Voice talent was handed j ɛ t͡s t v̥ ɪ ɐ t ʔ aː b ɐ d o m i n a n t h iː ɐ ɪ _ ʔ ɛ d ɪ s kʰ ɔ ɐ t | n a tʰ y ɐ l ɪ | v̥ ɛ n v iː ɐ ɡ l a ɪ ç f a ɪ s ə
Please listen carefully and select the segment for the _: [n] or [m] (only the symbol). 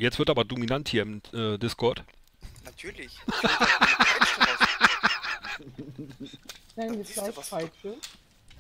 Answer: m